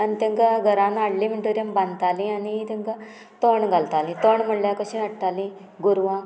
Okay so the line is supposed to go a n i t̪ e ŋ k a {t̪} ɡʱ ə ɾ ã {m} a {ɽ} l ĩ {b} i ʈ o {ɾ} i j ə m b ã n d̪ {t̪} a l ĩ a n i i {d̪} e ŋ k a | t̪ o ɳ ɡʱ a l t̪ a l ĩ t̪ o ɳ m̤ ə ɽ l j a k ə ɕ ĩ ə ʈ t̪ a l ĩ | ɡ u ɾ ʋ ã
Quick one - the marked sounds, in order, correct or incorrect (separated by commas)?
incorrect, incorrect, correct, incorrect, correct, correct, incorrect